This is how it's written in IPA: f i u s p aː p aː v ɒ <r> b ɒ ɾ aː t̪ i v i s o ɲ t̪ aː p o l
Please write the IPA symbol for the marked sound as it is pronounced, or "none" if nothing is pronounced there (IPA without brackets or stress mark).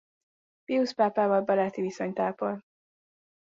l